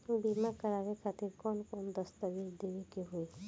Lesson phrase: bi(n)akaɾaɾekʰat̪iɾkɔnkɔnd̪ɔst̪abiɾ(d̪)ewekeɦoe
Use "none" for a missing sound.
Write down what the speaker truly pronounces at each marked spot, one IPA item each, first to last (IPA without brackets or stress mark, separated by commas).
m, d̪